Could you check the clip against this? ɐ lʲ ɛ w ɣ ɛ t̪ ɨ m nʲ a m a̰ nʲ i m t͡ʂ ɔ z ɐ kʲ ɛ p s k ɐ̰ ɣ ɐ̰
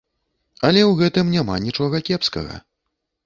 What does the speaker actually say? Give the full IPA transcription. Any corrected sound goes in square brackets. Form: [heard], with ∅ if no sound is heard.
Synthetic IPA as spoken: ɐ lʲ ɛ w ɣ ɛ t̪ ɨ m nʲ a m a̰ nʲ i [∅] t͡ʂ ɔ [ɣ] ɐ kʲ ɛ p s k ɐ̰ ɣ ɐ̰